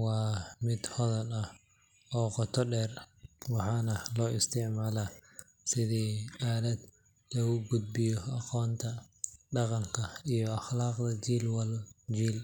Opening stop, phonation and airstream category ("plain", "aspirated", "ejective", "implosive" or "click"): plain